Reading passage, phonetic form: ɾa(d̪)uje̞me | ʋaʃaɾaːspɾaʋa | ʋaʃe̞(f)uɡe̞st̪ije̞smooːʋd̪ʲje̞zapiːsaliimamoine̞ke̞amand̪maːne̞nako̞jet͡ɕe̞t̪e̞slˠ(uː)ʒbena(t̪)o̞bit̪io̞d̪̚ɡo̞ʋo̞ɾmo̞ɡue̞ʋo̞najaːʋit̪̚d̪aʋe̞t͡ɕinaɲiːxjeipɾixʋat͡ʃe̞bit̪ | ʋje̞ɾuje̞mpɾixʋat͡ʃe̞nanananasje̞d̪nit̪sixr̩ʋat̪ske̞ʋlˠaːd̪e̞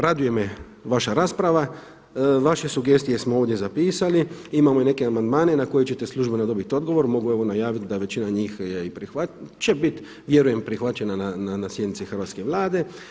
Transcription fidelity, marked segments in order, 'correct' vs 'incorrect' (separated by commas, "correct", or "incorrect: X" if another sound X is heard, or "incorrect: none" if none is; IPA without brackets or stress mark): correct, incorrect: s, incorrect: u, incorrect: d̪